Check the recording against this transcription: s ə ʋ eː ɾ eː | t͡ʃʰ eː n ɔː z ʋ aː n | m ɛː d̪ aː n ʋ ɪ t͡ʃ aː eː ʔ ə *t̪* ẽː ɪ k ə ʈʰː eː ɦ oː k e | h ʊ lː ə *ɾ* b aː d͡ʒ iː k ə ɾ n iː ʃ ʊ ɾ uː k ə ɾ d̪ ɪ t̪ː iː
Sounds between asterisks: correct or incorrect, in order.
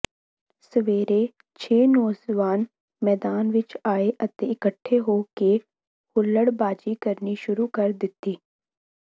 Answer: correct, incorrect

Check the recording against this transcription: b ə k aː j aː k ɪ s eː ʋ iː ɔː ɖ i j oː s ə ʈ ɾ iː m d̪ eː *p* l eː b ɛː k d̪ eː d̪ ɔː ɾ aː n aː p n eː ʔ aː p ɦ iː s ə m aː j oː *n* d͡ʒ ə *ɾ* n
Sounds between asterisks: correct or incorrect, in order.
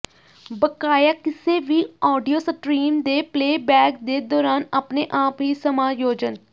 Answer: correct, incorrect, incorrect

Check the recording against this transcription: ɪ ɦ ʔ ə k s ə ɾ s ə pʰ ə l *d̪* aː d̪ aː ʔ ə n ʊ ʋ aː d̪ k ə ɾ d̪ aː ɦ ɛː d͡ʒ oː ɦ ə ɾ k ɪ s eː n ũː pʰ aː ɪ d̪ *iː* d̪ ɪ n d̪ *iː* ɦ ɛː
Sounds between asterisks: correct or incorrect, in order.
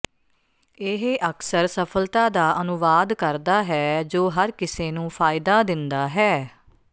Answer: incorrect, incorrect, incorrect

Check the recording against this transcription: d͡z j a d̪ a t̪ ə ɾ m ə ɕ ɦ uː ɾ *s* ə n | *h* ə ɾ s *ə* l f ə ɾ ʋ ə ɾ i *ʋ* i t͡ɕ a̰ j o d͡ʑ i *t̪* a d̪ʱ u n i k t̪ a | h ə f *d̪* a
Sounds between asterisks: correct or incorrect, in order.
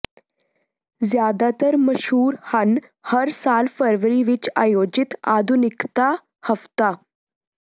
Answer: incorrect, correct, incorrect, correct, correct, incorrect

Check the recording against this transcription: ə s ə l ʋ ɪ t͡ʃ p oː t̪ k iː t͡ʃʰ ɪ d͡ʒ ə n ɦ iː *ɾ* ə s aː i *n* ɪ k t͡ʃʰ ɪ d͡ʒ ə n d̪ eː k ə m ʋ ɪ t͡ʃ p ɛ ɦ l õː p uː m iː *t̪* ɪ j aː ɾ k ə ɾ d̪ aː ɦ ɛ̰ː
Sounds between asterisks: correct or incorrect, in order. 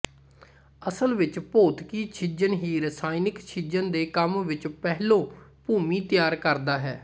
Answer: correct, correct, correct

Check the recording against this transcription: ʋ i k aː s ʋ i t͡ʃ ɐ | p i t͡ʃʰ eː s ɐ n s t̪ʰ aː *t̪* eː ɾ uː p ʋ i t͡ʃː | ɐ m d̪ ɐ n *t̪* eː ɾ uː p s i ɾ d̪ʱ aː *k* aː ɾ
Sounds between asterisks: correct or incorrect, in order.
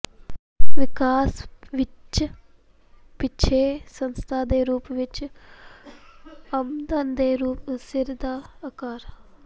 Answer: incorrect, incorrect, correct

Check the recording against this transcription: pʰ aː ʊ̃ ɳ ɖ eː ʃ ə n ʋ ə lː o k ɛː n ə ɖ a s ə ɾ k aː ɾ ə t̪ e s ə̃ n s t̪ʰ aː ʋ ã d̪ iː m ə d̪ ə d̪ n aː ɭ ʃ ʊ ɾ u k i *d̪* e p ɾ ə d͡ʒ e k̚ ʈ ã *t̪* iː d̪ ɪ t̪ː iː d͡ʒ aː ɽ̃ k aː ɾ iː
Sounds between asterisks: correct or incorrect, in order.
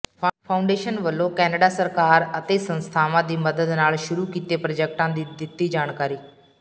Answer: incorrect, incorrect

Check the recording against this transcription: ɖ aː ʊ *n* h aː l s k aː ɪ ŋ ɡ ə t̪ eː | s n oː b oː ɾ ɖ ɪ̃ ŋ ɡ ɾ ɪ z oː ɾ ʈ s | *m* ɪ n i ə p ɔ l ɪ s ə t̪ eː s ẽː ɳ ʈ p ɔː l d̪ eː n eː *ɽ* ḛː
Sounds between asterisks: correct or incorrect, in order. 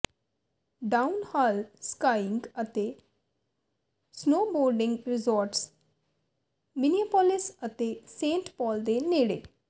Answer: correct, correct, correct

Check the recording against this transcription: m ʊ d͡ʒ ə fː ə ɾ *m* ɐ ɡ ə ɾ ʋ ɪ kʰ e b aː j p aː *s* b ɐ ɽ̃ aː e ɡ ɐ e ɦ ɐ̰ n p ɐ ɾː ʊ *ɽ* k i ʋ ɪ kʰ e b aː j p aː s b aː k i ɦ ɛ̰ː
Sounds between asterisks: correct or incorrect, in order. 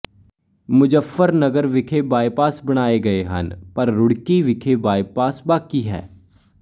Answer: incorrect, correct, correct

